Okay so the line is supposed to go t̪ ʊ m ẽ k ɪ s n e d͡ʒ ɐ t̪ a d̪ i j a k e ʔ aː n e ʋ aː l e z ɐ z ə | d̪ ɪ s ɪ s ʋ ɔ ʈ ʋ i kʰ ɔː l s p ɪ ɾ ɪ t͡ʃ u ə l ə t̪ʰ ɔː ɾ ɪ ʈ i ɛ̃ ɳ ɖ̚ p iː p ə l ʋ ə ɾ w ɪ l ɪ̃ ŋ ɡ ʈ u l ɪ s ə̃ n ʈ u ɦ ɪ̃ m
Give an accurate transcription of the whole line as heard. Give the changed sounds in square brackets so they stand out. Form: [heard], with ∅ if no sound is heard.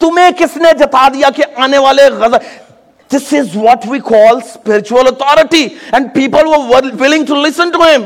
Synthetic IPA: t̪ ʊ m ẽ k ɪ s n e d͡ʒ ɐ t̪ a d̪ i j a k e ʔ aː n e ʋ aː l e [ɣ] ɐ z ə | d̪ ɪ s ɪ [z] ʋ ɔ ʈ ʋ i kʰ ɔː l s p ɪ ɾ ɪ t͡ʃ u ə l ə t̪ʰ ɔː ɾ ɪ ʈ i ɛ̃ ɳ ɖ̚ p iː p ə l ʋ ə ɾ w ɪ l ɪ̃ ŋ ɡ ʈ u l ɪ s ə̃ n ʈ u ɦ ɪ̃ m